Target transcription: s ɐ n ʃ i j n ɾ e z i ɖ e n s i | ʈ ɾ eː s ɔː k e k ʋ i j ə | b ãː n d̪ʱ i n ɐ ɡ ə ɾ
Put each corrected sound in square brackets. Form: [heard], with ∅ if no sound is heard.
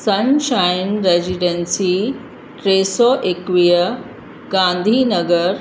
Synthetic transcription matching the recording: s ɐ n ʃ [a] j n ɾ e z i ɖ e n s i | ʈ ɾ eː s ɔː [ʔ] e k ʋ i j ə | [ɡ] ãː n d̪ʱ i n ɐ ɡ ə ɾ